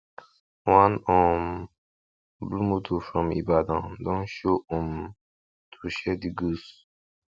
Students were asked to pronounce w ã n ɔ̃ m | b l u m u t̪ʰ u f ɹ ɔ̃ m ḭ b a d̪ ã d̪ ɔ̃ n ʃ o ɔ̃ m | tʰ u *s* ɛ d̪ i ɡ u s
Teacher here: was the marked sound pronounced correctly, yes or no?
no